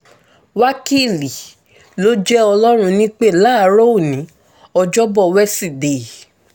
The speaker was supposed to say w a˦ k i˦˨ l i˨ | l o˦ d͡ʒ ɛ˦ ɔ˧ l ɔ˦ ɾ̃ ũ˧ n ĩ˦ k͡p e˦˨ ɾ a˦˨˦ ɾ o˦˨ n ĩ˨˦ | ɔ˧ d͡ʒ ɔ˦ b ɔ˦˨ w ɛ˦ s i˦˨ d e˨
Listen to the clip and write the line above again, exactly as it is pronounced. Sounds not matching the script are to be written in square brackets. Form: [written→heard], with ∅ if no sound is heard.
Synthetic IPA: w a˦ k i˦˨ l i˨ | l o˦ d͡ʒ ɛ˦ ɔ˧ l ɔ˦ ɾ̃ ũ˧ n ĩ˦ k͡p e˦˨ [ɾ→l] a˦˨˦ ɾ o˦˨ n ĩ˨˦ | ɔ˧ d͡ʒ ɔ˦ b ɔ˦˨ w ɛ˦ s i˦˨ d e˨